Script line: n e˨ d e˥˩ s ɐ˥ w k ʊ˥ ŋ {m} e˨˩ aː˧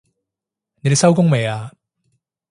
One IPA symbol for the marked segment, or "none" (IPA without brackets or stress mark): m